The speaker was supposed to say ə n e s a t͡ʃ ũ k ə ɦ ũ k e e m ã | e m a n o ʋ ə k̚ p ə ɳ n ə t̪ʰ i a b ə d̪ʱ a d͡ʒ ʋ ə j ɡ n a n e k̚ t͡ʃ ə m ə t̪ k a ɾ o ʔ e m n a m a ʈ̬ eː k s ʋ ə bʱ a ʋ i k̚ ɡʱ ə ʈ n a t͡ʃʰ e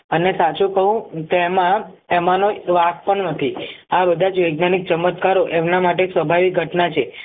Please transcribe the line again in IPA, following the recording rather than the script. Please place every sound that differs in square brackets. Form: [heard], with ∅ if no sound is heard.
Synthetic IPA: ə n e s a t͡ʃ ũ k ə ɦ ũ k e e m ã | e m a n o ʋ [a] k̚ p ə ɳ n ə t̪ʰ i a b ə d̪ʱ a d͡ʒ ʋ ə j ɡ n a n [i] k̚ t͡ʃ ə m ə t̪ k a ɾ o ʔ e m n a m a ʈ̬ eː k s ʋ ə bʱ a ʋ i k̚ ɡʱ ə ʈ n a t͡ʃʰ e